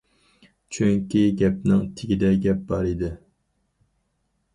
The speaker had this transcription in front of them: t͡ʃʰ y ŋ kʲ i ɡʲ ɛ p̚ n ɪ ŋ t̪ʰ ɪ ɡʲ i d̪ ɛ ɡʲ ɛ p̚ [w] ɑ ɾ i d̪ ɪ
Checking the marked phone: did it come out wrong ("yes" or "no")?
yes